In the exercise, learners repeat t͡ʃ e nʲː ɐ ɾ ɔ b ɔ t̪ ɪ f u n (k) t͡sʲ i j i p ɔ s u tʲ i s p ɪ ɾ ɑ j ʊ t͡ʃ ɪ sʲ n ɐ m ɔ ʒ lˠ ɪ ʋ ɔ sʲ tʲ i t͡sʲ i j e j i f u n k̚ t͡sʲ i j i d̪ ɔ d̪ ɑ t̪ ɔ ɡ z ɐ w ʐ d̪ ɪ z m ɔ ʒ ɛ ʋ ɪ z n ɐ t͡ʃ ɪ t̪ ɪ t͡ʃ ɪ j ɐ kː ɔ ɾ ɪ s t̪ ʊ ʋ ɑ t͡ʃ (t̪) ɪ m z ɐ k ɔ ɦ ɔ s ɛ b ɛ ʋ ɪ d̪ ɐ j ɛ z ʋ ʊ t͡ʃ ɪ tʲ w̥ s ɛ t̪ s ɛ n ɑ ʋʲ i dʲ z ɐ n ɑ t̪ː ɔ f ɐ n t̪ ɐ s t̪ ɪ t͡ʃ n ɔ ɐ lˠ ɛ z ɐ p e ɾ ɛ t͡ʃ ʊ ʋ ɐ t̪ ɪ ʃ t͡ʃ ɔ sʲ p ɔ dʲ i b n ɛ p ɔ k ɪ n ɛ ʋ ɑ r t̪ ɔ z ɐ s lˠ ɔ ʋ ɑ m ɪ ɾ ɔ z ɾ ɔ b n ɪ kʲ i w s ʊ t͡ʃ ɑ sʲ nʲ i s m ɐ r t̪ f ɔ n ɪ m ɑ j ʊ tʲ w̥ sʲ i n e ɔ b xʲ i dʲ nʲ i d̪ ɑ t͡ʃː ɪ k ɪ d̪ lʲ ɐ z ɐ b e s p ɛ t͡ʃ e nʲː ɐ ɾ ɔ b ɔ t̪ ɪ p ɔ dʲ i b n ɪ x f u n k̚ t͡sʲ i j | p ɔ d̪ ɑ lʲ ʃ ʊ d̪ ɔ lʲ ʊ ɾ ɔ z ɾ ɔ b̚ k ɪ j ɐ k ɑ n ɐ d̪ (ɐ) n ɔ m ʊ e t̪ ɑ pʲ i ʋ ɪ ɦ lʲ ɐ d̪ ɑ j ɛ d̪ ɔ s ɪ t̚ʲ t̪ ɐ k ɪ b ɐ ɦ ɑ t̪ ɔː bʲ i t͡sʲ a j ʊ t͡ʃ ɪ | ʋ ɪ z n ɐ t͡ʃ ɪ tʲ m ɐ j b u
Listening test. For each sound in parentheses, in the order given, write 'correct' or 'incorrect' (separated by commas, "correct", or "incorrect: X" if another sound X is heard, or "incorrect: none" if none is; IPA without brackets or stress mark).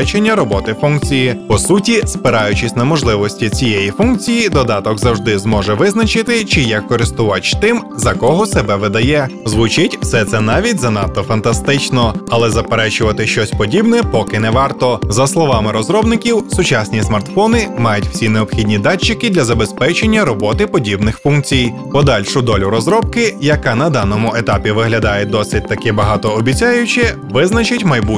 correct, correct, incorrect: ɑ